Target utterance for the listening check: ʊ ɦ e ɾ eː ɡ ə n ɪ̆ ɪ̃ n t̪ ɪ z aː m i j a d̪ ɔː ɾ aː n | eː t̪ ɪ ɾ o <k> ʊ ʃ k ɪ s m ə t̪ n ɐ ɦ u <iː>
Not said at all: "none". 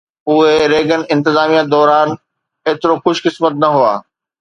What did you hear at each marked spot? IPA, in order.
x, aː

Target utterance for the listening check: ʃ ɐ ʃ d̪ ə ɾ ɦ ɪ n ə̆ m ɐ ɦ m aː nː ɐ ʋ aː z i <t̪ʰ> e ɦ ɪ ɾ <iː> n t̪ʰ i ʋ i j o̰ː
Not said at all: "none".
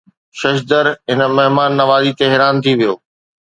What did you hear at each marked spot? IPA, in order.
t̪, aː

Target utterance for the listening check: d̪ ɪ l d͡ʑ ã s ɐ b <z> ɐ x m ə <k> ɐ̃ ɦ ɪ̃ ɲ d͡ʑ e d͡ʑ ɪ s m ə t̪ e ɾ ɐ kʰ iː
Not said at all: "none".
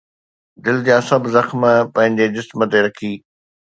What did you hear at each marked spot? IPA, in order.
z, p

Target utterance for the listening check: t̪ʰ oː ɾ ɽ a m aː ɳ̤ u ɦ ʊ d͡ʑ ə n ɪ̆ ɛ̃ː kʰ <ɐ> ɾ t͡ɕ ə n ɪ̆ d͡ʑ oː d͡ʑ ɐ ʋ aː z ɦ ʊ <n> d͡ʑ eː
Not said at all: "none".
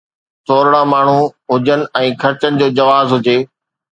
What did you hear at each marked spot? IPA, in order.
ɐ, none

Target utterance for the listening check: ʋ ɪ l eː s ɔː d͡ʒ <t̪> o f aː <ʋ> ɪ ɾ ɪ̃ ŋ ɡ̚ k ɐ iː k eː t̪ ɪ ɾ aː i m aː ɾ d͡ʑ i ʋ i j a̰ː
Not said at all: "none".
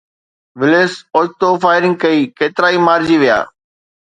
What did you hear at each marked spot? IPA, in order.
t̪, none

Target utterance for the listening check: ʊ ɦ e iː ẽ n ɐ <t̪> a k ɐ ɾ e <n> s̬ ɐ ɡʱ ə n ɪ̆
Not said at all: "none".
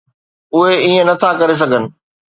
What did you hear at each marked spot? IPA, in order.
t̪ʰ, none

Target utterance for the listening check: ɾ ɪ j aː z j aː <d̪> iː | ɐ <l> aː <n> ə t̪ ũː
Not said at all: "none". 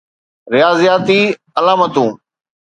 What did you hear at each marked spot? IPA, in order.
t̪, l, m

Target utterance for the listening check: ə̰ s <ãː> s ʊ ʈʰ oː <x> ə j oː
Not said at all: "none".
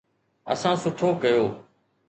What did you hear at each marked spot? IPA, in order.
ãː, k

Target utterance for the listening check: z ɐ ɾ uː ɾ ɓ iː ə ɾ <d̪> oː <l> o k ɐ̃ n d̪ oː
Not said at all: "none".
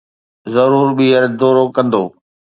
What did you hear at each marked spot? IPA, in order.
d̪, ɾ

